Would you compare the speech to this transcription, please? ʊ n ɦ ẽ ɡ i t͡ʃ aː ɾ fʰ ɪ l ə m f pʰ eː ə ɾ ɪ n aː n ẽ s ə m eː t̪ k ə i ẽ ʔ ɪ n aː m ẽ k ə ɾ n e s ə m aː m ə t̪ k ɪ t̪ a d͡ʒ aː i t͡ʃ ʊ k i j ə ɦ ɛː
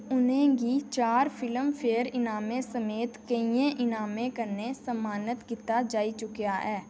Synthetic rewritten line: ʊ n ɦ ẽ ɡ i t͡ʃ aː ɾ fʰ ɪ l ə m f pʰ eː ə ɾ ɪ n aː m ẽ s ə m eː t̪ k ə i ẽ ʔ ɪ n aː m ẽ k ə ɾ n e s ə m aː n ə t̪ k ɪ t̪ a d͡ʒ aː i t͡ʃ ʊ k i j a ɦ ɛː